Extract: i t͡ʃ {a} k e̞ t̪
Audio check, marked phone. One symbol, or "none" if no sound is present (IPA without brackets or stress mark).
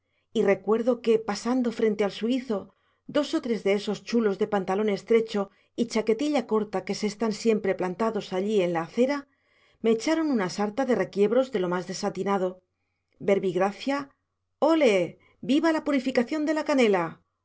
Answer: a